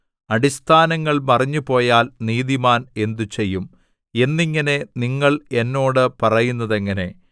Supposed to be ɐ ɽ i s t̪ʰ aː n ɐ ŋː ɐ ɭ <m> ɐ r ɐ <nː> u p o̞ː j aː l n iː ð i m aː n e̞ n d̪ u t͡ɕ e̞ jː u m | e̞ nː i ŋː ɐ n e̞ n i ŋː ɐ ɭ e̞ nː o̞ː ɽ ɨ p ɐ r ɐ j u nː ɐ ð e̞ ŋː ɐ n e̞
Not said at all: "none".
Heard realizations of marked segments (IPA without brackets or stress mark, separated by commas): m, ɲː